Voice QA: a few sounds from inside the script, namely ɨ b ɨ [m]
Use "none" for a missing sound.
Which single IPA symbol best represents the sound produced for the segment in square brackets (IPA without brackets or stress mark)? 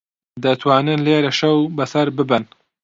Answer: n